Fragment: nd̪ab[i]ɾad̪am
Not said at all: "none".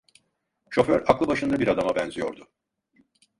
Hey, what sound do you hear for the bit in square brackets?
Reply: i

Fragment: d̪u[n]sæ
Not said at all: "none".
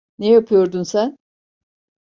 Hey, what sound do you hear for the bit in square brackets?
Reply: n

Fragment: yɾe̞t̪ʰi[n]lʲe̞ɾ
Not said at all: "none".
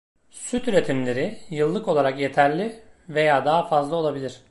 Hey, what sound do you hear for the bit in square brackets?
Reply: m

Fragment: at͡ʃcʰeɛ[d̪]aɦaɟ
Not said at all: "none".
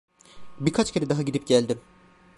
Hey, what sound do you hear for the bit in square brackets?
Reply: d̪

